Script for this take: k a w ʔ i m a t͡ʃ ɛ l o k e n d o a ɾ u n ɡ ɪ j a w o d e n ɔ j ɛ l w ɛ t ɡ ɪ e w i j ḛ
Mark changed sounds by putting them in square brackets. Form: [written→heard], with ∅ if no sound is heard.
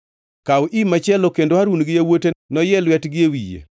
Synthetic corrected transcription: k a w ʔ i m a t͡ʃ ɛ l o k e n d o a ɾ u n ɡ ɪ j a w o [d→t] e n ɔ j ɛ l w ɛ t ɡ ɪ e w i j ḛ